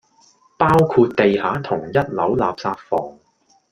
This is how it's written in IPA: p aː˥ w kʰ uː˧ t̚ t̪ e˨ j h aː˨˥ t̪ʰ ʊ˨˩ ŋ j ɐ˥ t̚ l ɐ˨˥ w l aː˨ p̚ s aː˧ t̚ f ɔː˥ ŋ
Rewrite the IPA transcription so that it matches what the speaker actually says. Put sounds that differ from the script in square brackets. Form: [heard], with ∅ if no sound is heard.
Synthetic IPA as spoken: p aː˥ w kʰ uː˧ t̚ t̪ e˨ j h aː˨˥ t̪ʰ ʊ˨˩ ŋ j ɐ˥ t̚ l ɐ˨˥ w l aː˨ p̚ s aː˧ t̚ f [ɔː˨˩] ŋ